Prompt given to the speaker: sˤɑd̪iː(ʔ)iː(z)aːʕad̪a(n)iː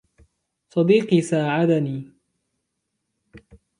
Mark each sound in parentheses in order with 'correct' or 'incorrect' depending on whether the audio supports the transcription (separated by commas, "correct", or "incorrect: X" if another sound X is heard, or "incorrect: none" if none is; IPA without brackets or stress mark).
incorrect: q, incorrect: s, correct